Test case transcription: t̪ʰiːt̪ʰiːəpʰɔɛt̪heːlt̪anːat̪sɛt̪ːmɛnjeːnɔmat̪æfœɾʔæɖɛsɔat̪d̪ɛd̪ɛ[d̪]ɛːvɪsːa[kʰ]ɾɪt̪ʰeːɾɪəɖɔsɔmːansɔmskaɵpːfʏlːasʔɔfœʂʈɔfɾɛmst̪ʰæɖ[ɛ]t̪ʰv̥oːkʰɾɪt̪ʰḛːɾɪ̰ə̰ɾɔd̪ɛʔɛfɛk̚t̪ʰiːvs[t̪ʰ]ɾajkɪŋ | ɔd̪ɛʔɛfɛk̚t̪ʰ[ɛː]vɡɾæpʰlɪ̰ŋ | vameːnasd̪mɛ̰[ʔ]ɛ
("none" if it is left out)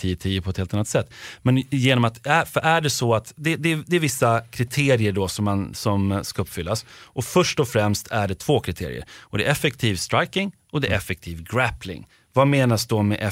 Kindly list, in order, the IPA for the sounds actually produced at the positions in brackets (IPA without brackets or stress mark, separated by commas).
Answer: d̪, kʰ, ɛ, t̪, iː, ʔ